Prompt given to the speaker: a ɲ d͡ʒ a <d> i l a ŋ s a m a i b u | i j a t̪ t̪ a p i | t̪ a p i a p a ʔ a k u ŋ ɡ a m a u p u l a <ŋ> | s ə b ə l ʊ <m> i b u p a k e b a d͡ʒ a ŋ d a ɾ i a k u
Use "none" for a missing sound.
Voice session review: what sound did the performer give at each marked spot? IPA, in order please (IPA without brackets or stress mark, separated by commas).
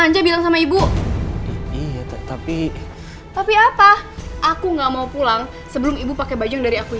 b, ŋ, m